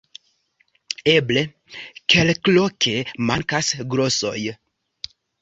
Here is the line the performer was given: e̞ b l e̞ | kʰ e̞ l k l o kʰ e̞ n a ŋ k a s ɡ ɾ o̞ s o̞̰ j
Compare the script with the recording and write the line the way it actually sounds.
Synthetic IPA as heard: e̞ b l e̞ | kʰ e̞ l k l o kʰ e̞ m a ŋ k a s ɡ ɾ o̞ s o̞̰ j